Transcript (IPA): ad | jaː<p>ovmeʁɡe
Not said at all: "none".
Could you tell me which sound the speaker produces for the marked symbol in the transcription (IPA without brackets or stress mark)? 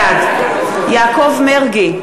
k